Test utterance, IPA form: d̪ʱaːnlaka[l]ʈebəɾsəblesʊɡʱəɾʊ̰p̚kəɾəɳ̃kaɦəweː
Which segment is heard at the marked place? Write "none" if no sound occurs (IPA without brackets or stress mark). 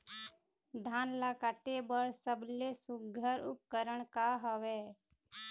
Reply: none